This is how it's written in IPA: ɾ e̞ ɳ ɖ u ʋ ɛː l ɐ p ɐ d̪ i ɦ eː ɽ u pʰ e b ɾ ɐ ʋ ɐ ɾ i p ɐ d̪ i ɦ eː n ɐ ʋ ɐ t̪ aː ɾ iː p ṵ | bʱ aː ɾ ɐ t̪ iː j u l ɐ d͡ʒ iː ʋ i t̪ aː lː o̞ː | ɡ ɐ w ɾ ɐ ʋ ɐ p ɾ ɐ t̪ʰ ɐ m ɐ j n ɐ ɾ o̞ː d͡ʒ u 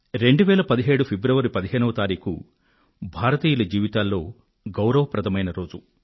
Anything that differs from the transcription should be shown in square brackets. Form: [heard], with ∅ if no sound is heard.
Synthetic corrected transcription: ɾ e̞ ɳ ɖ u ʋ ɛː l ɐ p ɐ d̪ i ɦ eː ɽ u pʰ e b ɾ ɐ ʋ ɐ ɾ i p ɐ d̪ i ɦ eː n ɐ ʋ ɐ t̪ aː ɾ iː [k] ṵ | bʱ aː ɾ ɐ t̪ iː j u l ɐ d͡ʒ iː ʋ i t̪ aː lː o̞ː | ɡ ɐ w ɾ ɐ ʋ ɐ p ɾ ɐ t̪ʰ ɐ m ɐ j n ɐ ɾ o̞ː d͡ʒ u